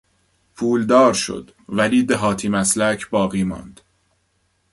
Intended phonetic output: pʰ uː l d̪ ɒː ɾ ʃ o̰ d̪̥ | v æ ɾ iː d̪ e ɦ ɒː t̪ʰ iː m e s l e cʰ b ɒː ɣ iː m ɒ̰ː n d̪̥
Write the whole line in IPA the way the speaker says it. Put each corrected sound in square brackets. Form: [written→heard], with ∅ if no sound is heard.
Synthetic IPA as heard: pʰ uː l d̪ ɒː ɾ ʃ o̰ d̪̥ | v æ [ɾ→l] iː d̪ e ɦ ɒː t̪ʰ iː m [e→æ] s l [e→æ] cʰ b ɒː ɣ iː m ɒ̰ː n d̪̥